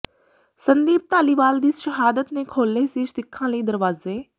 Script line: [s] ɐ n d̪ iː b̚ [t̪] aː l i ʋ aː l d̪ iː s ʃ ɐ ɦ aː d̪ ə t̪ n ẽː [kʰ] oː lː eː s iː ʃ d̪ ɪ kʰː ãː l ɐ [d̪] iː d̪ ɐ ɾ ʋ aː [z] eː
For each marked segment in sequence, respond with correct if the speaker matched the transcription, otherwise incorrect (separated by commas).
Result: correct, correct, correct, incorrect, correct